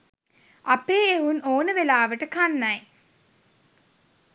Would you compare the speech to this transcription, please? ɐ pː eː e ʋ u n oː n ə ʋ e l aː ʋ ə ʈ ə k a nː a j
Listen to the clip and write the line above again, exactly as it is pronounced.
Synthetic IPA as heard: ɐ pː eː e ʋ u n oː n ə ʋ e l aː ʋ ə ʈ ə k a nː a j